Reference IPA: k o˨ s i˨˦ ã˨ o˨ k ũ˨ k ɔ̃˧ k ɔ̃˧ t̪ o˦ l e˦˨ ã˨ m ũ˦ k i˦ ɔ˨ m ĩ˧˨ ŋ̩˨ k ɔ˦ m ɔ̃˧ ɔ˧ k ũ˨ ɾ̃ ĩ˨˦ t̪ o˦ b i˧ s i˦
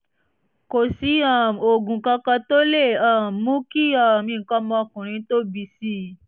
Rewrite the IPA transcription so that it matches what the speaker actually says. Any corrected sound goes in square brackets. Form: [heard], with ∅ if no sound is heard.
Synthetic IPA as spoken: k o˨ s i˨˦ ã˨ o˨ [ɡ] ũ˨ k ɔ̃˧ k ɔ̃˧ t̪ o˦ l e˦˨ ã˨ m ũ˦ k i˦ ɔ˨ m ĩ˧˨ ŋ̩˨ k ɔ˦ m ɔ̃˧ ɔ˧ k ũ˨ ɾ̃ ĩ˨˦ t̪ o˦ b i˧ s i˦